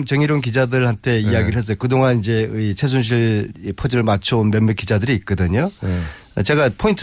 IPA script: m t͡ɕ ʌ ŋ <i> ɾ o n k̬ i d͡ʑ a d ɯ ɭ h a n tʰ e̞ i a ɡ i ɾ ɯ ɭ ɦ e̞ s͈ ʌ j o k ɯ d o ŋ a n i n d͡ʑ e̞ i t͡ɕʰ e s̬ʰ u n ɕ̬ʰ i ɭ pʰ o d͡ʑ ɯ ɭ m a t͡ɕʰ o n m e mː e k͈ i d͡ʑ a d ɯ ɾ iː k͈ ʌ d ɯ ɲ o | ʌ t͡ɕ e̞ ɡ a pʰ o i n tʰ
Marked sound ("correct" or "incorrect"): correct